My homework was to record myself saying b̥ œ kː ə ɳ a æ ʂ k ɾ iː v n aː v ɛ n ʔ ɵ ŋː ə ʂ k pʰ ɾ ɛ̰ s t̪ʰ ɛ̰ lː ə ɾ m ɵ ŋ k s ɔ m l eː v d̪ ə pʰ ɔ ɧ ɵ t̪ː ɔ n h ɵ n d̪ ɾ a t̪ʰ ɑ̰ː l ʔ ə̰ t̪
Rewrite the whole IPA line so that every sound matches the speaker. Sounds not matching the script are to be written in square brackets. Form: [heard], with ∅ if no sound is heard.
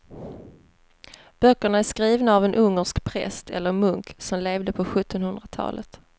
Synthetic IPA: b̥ œ kː ə ɳ a æ ʂ k ɾ iː v n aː v ɛ n ʔ ɵ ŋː ə ʂ k pʰ ɾ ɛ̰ s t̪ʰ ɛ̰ lː ə ɾ m ɵ ŋ k s ɔ m l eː v d̪ ə pʰ ɔ ɧ ɵ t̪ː ɔ n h ɵ n d̪ ɾ a t̪ʰ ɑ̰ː l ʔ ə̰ t̪